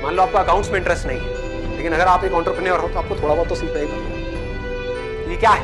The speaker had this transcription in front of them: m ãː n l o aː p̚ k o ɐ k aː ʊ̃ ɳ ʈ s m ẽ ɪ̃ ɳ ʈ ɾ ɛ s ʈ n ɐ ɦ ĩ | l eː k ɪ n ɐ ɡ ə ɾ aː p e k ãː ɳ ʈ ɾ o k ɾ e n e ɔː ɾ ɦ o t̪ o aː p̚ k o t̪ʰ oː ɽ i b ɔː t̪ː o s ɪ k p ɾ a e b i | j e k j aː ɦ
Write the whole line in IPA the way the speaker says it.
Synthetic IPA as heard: m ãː n l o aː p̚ k o ɐ k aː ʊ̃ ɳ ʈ s m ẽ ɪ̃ ɳ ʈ ɾ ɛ s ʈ n ɐ ɦ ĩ | l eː k ɪ n ɐ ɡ ə ɾ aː p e k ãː ɳ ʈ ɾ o p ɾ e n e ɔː ɾ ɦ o t̪ o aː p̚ k o t̪ʰ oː ɽ a b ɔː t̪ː o s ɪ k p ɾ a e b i | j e k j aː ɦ